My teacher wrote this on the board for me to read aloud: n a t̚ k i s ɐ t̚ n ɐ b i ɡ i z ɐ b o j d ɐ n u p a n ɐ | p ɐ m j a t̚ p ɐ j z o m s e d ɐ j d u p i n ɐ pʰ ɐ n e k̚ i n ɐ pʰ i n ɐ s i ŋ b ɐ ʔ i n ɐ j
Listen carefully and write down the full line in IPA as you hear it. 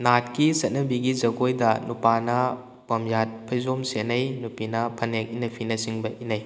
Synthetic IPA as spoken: n a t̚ k i s ɐ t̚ n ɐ b i ɡ i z ɐ ɡ o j d ɐ n u p a n ɐ | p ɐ m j a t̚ pʰ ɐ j z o m s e n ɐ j n u p i n ɐ pʰ ɐ n e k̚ i n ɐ pʰ i n ɐ s i ŋ b ɐ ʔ i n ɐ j